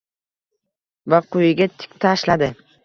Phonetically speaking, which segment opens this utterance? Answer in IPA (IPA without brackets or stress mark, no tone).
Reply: v